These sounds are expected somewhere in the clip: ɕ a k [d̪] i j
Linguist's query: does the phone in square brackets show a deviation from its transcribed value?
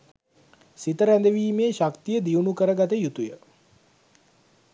yes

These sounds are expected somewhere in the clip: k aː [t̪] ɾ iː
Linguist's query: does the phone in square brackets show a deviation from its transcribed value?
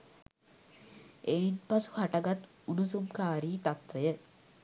yes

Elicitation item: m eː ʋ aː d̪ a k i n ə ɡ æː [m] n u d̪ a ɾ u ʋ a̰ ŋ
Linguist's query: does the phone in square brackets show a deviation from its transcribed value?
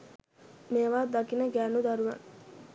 yes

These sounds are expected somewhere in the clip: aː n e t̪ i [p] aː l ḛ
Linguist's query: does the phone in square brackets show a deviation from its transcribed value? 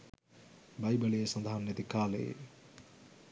yes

